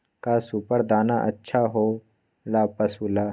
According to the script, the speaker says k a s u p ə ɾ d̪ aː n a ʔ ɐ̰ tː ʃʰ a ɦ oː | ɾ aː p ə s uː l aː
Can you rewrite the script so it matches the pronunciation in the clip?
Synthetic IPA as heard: k a s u p ə ɾ d̪ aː n a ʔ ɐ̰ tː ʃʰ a ɦ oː | l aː p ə s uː l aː